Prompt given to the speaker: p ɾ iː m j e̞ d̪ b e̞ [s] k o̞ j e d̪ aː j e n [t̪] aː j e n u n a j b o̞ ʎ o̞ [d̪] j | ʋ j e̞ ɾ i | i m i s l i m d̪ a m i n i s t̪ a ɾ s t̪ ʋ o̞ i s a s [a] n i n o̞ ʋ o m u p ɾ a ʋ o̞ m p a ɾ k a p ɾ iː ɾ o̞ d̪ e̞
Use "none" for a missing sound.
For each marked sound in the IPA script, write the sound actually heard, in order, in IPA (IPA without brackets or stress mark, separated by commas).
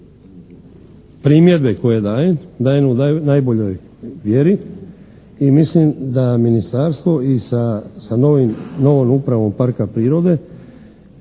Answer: none, d̪, none, a